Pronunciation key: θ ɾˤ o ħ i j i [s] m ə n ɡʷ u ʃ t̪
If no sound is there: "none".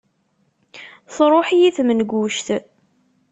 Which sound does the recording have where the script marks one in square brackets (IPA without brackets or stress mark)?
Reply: θ